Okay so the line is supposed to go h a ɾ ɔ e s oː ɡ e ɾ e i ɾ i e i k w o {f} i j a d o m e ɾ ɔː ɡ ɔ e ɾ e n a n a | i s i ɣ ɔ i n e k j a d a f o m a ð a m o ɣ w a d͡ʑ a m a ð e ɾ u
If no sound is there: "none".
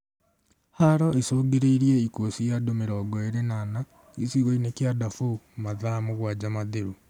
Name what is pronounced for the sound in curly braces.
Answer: s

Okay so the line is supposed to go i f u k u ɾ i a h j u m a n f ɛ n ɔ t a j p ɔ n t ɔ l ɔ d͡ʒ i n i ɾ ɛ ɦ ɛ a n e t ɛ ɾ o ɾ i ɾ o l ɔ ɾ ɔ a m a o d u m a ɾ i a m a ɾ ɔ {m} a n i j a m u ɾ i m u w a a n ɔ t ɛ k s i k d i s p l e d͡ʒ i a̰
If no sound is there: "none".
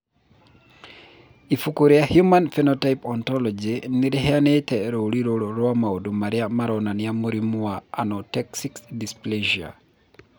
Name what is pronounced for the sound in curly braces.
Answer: n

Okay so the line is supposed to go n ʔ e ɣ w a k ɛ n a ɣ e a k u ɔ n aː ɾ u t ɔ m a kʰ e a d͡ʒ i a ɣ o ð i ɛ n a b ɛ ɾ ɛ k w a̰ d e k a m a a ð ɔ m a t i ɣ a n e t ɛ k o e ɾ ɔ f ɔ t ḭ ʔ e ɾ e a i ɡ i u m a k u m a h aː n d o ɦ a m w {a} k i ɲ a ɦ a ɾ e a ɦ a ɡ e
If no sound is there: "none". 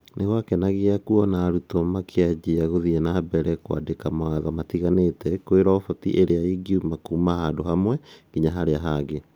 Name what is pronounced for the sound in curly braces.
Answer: ɛ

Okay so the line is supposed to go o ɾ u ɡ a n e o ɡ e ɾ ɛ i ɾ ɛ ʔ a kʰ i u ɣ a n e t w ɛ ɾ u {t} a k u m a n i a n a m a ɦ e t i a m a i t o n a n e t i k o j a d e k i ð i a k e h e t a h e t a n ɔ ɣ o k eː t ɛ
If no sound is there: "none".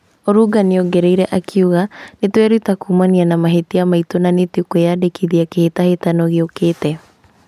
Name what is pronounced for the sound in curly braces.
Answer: t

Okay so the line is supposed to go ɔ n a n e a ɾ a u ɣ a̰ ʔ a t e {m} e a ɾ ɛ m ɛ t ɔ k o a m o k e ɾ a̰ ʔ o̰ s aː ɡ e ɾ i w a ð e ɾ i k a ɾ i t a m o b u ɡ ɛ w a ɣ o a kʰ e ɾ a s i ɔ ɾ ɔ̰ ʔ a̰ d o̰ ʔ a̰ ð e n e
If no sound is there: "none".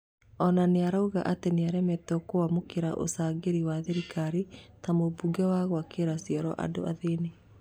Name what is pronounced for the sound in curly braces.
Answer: n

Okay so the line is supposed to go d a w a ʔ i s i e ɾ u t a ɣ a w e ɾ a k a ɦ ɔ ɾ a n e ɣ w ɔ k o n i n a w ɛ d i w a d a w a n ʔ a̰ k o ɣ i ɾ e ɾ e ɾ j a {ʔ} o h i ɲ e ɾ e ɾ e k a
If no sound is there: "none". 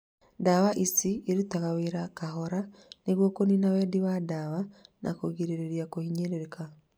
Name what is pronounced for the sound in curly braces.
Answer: k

